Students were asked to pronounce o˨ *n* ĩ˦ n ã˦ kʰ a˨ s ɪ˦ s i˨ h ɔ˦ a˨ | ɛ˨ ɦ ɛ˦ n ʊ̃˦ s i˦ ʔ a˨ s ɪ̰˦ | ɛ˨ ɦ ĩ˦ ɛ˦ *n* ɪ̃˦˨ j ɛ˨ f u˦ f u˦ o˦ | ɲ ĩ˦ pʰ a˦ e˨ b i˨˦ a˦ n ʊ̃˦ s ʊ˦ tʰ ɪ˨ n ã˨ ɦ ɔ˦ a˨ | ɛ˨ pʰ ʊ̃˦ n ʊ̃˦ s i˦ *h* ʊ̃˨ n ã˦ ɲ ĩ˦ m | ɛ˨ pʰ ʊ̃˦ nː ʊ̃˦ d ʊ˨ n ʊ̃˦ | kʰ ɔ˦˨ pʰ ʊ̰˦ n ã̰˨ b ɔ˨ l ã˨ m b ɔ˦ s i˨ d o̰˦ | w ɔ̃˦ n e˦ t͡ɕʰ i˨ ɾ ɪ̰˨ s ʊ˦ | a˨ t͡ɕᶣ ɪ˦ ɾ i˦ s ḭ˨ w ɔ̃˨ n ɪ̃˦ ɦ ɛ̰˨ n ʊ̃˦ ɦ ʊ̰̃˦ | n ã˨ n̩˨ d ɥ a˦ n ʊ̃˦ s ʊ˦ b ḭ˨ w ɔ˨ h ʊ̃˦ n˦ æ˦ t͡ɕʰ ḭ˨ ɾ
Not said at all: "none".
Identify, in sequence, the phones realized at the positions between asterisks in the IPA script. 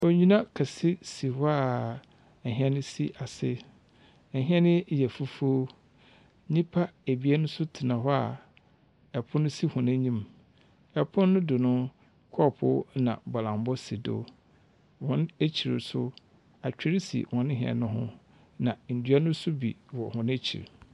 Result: ɲ, n, h

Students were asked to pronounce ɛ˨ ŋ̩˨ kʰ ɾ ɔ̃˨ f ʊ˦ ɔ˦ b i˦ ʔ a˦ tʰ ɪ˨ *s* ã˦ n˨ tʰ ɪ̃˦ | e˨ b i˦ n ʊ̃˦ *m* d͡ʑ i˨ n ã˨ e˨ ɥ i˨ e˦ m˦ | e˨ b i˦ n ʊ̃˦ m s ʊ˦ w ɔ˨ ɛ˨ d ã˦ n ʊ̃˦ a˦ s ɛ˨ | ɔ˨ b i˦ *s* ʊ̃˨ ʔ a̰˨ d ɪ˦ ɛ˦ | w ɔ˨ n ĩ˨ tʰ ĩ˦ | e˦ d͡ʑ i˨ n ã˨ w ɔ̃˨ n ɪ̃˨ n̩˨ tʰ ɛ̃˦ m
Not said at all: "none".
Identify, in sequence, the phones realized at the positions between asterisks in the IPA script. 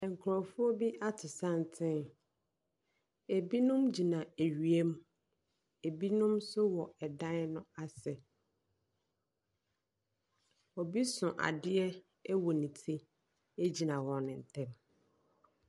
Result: s, m, s

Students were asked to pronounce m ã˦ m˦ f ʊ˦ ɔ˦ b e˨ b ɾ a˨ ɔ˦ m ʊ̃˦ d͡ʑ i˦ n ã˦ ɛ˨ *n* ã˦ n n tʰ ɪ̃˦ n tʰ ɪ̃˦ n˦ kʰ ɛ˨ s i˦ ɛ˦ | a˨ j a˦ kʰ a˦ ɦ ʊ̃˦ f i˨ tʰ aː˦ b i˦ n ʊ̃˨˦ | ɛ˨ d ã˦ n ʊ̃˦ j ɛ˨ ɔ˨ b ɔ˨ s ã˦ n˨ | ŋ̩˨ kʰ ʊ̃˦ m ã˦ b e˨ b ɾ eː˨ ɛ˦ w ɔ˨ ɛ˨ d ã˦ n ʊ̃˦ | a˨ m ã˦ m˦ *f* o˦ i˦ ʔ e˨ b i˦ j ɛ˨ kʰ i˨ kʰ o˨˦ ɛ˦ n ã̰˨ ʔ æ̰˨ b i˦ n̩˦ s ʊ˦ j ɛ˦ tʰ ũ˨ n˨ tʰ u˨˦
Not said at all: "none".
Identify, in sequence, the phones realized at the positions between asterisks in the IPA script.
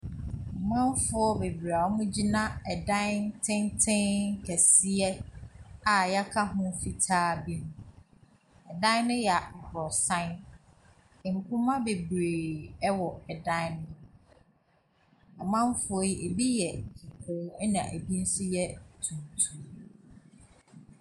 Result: d, f

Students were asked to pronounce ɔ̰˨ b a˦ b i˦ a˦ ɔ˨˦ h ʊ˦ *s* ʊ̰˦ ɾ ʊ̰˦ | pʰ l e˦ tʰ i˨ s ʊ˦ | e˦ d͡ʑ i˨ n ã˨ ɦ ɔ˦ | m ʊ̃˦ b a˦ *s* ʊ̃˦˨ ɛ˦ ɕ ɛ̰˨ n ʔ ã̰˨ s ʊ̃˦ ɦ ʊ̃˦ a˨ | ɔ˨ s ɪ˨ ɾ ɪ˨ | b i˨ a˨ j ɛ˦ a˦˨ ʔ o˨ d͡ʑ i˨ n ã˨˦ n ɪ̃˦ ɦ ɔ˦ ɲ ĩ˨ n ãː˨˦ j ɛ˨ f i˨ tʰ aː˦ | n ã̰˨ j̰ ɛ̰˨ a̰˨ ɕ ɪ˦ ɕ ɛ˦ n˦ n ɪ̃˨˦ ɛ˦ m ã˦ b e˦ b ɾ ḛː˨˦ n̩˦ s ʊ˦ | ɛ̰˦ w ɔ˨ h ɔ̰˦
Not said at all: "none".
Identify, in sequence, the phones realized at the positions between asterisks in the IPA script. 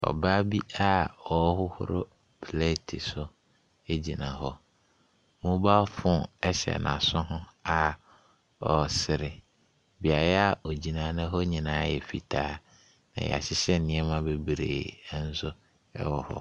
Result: h, f

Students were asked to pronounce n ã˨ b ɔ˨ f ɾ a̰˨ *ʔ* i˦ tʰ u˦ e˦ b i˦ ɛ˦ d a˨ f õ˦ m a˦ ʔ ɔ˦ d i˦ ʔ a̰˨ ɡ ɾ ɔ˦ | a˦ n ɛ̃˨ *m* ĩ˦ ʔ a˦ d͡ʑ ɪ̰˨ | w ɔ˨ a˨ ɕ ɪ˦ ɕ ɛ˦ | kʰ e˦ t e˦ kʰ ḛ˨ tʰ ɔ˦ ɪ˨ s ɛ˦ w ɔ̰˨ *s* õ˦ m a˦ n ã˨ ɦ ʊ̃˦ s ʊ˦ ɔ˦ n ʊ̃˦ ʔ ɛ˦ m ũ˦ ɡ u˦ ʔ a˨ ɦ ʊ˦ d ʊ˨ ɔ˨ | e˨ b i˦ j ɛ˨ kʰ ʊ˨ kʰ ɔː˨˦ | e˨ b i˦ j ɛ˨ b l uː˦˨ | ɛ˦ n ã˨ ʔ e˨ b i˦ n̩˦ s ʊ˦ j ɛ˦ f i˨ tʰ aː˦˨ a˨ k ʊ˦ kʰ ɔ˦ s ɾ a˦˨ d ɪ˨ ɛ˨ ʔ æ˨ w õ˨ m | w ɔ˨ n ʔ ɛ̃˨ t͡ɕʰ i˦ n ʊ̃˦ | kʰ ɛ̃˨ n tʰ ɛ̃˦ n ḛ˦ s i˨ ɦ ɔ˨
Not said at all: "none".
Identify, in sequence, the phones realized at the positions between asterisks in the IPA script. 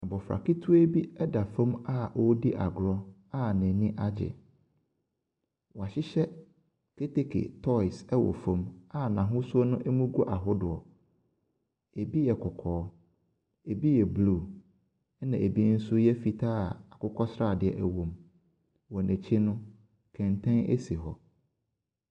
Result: k, n, f

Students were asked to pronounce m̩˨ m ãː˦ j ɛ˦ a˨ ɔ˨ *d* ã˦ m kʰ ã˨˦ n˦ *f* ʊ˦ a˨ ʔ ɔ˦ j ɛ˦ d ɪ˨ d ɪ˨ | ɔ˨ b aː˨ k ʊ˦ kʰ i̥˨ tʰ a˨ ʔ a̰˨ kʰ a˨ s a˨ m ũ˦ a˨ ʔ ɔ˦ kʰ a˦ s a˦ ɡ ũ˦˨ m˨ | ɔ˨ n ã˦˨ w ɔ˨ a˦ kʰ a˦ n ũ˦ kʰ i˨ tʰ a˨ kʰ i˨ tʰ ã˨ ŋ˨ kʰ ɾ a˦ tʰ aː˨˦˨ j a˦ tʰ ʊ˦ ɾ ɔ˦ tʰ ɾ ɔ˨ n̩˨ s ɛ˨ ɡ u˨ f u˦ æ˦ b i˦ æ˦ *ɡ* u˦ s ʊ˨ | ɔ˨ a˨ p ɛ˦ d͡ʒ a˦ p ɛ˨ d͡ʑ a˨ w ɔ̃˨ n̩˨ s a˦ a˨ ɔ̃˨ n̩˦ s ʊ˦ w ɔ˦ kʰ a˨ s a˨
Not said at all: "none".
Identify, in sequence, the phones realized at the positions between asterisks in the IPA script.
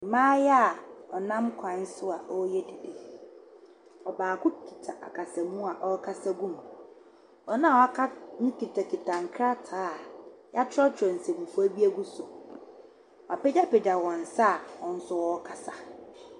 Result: n, s, ɡ

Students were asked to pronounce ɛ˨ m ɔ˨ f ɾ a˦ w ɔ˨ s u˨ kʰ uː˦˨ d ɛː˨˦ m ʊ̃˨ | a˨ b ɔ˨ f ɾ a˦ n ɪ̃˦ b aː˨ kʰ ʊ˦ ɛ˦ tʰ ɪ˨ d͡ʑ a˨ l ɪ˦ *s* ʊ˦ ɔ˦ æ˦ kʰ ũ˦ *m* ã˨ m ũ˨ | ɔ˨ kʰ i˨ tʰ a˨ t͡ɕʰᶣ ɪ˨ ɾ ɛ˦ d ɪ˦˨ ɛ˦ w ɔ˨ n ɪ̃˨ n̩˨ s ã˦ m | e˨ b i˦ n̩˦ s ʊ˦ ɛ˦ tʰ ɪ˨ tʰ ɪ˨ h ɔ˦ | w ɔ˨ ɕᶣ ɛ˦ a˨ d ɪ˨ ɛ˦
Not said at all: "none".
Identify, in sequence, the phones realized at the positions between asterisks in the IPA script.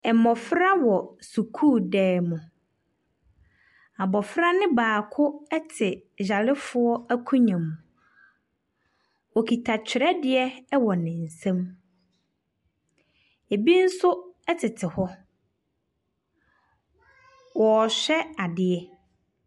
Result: f, ɲ

